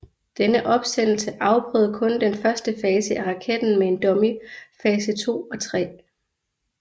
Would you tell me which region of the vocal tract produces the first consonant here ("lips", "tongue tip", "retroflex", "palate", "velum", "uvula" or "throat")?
tongue tip